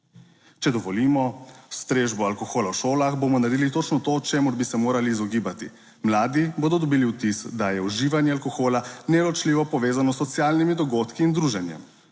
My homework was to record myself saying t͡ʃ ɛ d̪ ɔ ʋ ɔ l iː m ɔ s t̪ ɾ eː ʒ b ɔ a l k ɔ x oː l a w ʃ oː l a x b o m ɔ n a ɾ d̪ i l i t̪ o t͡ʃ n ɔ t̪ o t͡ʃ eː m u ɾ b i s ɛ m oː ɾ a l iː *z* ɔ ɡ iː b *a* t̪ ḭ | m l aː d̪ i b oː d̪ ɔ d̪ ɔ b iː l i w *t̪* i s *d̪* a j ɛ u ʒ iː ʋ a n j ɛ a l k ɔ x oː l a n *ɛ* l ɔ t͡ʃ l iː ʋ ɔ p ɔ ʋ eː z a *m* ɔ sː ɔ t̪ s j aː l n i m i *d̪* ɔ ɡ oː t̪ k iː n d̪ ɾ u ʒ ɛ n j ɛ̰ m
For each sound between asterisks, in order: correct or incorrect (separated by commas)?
correct, correct, correct, correct, correct, incorrect, correct